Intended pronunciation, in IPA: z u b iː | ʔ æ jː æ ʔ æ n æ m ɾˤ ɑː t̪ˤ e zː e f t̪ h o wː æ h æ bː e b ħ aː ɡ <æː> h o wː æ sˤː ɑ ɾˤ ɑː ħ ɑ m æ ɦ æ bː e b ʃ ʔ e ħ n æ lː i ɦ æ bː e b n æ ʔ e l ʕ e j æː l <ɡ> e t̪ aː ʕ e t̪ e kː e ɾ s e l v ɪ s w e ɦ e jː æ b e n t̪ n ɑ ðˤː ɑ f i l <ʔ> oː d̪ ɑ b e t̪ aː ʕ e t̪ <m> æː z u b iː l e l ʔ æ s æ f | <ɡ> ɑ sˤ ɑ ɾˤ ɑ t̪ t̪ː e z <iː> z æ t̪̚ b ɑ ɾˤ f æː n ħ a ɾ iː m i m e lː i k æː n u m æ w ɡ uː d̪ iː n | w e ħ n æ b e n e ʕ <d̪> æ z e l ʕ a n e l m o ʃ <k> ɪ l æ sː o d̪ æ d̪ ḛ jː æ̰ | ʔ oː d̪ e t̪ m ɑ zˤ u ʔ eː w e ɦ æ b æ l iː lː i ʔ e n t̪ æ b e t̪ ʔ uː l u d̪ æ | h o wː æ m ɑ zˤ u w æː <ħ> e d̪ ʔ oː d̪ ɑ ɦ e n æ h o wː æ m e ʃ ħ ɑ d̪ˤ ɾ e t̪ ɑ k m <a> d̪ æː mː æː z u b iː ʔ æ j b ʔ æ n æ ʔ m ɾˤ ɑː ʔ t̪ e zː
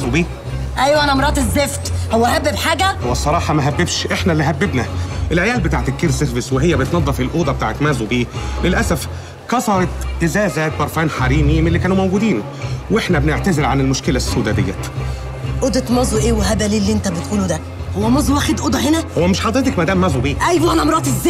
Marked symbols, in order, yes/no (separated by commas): no, no, yes, yes, no, no, no, yes, no, no